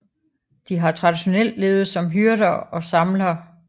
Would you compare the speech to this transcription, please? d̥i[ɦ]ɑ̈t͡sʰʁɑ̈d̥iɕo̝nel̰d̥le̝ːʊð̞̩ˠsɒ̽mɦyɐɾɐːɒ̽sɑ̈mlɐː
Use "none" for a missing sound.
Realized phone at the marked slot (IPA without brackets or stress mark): ɦ